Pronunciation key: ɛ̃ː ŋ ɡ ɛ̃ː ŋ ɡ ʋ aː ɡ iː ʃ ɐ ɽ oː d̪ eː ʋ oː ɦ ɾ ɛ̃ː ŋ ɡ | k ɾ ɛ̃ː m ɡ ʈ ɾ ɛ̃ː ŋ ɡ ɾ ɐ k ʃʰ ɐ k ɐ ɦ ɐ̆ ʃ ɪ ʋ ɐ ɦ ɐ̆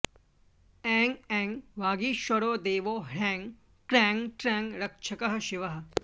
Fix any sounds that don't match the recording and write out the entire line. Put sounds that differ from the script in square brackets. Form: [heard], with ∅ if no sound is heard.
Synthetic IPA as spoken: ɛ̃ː ŋ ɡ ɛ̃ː ŋ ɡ ʋ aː ɡ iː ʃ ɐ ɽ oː d̪ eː ʋ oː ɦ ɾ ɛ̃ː ŋ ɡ | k ɾ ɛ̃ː [ŋ] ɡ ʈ ɾ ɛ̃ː ŋ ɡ ɾ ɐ k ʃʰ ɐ k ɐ ɦ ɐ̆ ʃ ɪ ʋ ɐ ɦ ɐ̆